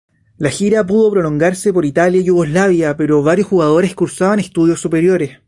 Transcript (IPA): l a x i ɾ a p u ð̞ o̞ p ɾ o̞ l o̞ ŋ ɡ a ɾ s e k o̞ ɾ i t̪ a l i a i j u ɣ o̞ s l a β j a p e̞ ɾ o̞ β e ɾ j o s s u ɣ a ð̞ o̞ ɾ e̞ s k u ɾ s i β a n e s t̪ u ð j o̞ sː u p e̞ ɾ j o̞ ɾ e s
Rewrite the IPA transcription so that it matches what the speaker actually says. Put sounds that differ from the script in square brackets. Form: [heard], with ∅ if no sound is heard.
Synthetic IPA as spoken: l a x i ɾ a p u ð̞ o̞ p ɾ o̞ l o̞ ŋ ɡ a ɾ s e [p] o̞ ɾ i t̪ a l [j] a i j u ɣ o̞ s l a β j a p e̞ ɾ o̞ β [a] ɾ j o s [x] u ɣ a ð̞ o̞ ɾ e̞ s k u ɾ s [a] β a n e s t̪ u ð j o̞ sː u p e̞ ɾ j o̞ ɾ e s